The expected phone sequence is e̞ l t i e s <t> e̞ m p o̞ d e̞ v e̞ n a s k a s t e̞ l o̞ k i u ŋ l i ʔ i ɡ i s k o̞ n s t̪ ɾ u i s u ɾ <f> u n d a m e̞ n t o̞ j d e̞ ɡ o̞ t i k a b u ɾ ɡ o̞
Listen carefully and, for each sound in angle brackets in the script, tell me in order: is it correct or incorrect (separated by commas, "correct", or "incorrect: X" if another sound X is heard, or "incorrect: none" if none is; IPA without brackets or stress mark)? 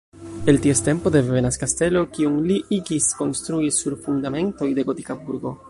correct, correct